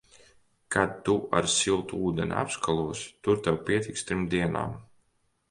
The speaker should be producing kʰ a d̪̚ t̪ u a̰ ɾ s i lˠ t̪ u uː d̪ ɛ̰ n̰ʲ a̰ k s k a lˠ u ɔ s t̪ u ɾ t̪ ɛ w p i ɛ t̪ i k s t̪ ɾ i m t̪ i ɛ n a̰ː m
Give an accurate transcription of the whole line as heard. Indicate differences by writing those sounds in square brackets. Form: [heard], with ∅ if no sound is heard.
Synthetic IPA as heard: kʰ a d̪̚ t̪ u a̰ ɾ s i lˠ t̪ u uː d̪ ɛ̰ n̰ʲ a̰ [p] s k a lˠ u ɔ s t̪ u ɾ t̪ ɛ w p i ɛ t̪ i k s t̪ ɾ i m [d̪] i ɛ n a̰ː m